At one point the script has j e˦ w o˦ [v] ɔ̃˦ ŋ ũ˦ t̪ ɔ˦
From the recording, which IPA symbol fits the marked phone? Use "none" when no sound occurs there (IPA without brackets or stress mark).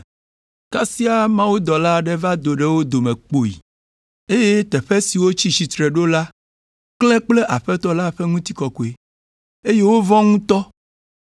v